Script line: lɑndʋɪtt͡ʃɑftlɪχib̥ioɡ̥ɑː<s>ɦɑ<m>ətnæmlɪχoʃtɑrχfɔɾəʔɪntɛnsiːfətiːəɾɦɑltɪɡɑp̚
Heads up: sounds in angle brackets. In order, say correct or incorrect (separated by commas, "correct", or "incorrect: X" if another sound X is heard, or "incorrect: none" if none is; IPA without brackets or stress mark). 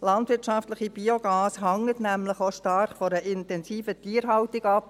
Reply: correct, incorrect: ŋ